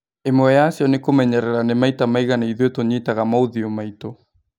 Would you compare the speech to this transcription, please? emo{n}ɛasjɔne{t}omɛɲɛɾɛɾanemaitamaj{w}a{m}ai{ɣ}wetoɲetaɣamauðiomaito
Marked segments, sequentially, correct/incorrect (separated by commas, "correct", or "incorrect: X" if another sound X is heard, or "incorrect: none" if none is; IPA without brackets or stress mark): incorrect: none, incorrect: k, incorrect: ɣ, incorrect: n, incorrect: ð